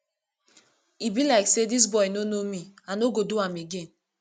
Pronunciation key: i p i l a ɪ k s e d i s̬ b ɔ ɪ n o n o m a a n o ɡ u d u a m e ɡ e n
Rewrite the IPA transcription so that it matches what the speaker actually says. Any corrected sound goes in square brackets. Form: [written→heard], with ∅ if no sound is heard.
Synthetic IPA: i [p→b] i l a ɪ k s e d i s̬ b ɔ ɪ n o n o m [a→i] a n o ɡ [u→o] d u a m e ɡ e n